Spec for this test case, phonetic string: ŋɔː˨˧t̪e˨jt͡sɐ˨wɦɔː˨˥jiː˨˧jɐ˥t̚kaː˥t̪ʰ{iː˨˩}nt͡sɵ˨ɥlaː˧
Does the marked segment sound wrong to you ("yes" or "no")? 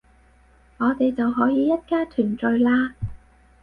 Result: yes